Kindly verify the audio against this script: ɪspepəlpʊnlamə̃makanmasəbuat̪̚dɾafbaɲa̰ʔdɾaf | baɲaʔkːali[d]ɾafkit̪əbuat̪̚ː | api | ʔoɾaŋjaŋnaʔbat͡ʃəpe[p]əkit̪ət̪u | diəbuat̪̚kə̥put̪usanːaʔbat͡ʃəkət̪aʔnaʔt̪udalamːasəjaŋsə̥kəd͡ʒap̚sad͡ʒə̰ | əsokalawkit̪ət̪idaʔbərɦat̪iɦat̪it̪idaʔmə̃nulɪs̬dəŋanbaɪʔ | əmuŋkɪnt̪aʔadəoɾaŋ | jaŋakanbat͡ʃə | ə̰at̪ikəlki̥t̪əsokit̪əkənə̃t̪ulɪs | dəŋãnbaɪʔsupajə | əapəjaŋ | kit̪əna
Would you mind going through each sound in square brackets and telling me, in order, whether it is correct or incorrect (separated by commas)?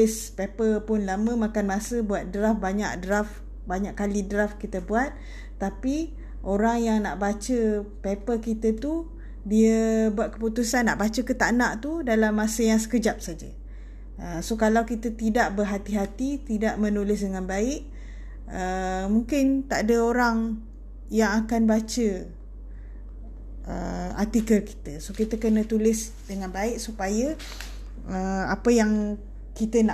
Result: correct, correct